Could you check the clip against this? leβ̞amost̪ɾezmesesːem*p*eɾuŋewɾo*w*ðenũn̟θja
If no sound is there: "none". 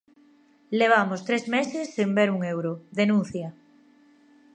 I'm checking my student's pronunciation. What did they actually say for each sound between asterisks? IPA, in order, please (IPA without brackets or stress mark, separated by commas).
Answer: b, none